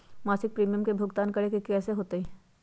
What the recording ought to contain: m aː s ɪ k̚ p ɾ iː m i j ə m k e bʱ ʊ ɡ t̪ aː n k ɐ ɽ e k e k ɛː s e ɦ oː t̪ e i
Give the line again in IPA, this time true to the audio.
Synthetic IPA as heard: m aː s ɪ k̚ p ɾ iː m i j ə m k e bʱ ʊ ɡ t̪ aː n k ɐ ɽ e k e k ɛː s e ɦ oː t̪ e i